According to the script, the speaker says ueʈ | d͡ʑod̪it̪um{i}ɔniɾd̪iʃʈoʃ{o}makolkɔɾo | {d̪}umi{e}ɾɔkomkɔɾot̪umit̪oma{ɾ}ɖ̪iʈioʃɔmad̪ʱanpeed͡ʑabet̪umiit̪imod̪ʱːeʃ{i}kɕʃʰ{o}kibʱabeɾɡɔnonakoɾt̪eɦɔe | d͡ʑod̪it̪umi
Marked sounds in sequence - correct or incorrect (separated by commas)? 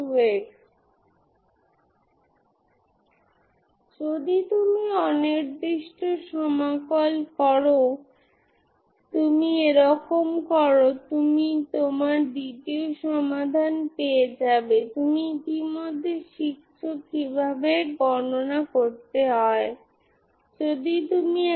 correct, incorrect, incorrect, correct, correct, correct, correct